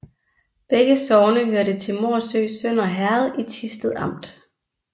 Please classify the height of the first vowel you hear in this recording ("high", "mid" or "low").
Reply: mid